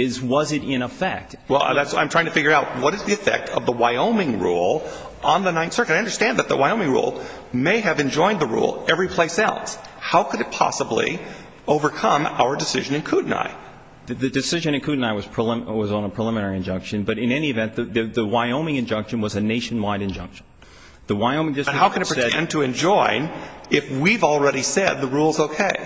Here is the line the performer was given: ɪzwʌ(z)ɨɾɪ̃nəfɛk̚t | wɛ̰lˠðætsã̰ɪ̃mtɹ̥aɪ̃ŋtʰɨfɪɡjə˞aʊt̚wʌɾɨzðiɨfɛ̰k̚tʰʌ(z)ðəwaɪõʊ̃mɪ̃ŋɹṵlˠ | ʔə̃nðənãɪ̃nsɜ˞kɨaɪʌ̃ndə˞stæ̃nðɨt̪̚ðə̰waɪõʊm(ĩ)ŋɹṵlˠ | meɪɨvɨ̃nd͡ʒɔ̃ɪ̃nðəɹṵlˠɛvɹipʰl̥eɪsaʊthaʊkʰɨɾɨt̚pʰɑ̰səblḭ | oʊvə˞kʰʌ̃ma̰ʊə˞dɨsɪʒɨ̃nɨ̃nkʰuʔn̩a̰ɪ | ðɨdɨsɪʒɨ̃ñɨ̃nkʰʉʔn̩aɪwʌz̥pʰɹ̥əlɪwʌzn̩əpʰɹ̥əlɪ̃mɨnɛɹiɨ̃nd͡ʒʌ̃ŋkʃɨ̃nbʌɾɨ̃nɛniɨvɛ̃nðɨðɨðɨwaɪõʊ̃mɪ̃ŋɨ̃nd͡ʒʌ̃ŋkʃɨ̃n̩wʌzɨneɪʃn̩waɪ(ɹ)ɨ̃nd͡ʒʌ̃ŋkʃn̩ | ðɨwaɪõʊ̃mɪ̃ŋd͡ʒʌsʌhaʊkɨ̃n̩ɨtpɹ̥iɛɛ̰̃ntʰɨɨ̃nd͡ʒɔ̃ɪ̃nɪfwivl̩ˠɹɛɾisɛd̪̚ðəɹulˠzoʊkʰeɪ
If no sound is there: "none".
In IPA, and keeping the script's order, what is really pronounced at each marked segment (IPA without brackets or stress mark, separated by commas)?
z, v, ɪ̃, ɾ